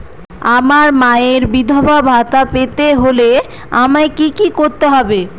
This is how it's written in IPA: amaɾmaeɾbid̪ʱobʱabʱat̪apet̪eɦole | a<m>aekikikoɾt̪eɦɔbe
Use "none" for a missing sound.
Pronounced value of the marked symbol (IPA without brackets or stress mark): m